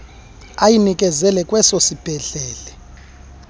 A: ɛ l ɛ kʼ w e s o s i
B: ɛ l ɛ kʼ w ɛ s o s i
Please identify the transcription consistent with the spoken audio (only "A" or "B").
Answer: B